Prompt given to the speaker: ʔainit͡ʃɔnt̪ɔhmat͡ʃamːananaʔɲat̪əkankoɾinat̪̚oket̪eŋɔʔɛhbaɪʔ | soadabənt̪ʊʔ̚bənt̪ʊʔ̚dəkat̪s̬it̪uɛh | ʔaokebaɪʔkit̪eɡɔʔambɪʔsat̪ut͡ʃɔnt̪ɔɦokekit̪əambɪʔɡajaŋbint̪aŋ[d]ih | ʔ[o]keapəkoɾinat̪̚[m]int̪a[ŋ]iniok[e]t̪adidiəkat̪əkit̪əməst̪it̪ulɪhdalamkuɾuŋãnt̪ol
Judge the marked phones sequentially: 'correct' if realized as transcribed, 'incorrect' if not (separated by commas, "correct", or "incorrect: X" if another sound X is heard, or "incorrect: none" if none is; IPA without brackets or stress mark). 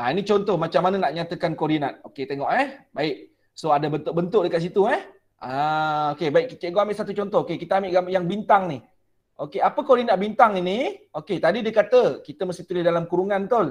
incorrect: n, correct, incorrect: b, correct, correct